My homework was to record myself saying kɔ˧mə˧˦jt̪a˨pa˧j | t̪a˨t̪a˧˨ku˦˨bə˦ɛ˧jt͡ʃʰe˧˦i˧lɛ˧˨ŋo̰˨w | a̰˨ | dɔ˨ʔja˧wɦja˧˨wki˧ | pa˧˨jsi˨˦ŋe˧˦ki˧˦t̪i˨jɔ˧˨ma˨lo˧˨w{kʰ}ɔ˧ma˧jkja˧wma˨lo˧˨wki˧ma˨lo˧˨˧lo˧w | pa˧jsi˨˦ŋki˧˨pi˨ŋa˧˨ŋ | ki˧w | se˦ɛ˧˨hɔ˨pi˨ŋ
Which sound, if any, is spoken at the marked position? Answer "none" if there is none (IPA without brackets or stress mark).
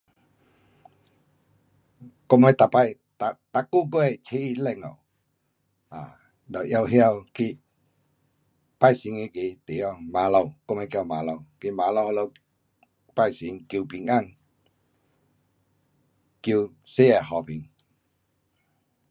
k